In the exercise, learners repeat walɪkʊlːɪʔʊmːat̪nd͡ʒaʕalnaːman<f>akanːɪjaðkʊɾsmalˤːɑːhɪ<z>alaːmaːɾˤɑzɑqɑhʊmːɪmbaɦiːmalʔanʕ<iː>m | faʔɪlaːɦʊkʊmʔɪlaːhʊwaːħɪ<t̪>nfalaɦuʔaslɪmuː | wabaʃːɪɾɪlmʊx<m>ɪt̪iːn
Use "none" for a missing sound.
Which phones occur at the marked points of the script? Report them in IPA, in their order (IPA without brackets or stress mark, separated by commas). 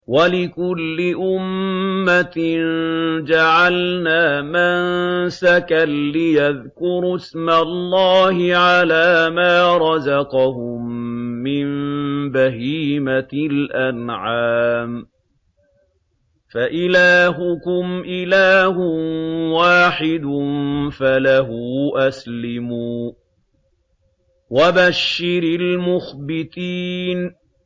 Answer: s, ʕ, aː, d̪, b